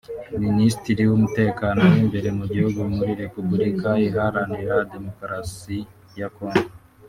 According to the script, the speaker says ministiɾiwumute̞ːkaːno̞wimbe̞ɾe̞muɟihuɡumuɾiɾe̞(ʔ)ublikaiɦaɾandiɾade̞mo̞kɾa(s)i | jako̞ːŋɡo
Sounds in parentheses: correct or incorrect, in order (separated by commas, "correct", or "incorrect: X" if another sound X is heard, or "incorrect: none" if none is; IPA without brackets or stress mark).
incorrect: p, correct